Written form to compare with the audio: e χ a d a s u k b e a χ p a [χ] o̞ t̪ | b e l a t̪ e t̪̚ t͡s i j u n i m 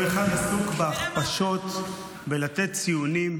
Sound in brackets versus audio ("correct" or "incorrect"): incorrect